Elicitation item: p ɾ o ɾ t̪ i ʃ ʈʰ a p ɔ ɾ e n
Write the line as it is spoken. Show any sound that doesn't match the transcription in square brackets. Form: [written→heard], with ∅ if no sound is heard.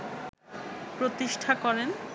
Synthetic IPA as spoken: p ɾ o [ɾ→∅] t̪ i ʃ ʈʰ a [p→k] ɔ ɾ e n